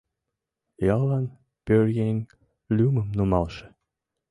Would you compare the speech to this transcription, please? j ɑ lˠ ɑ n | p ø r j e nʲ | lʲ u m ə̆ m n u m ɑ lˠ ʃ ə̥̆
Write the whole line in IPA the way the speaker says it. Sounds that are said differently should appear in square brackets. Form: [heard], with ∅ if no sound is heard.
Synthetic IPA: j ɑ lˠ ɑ n | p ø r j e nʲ | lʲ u m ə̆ m n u m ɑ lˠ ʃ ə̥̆